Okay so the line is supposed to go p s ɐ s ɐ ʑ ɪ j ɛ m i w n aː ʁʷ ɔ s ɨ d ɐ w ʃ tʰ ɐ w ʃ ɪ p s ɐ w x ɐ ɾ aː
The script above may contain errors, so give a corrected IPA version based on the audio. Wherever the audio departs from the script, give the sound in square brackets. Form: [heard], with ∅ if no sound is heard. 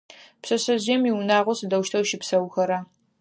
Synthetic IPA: p s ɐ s ɐ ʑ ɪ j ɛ m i w n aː ʁʷ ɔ s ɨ d ɐ w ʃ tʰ ɐ w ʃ ɪ p s ɐ w x ɐ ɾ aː